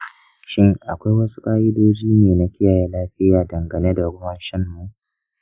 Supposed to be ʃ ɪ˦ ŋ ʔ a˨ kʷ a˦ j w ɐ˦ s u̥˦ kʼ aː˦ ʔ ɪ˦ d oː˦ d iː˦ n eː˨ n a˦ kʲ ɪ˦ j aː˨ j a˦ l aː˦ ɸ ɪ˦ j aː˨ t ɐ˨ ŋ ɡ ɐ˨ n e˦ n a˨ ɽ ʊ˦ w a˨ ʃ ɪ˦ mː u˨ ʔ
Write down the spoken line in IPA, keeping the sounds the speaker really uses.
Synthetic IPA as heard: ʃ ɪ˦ ŋ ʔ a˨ kʷ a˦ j w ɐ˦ s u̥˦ kʼ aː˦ ʔ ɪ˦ d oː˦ d͡ʒ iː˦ n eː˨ n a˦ kʲ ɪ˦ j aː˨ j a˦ l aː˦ ɸ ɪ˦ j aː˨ d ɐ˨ ŋ ɡ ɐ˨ n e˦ d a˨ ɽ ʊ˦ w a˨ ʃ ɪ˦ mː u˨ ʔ